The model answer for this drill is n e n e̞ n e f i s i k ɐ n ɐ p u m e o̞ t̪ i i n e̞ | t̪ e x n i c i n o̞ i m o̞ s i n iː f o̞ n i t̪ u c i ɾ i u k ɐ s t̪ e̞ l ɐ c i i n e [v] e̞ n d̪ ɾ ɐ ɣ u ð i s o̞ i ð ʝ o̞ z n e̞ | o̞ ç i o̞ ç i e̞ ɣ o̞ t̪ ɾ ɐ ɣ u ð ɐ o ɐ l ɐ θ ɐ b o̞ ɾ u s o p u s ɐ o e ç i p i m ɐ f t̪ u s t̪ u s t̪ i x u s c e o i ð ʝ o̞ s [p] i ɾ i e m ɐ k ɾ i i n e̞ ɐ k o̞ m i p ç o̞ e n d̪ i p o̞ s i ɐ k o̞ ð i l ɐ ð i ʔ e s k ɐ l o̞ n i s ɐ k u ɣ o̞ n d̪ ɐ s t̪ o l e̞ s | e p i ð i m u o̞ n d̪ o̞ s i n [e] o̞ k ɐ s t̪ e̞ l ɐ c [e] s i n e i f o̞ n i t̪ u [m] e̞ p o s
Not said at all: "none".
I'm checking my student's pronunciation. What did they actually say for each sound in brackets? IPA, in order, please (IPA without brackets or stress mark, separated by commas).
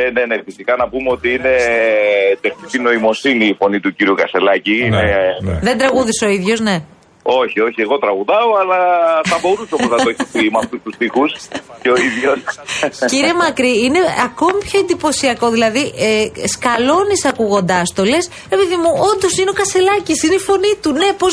ð, c, e, i, n